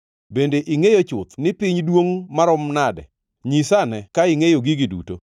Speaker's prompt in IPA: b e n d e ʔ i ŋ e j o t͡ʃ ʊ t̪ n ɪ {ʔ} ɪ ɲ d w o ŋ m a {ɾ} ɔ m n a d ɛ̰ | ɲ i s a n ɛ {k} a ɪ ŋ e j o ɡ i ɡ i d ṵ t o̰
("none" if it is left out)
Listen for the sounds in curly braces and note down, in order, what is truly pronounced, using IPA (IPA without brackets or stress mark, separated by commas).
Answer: p, ɾ, k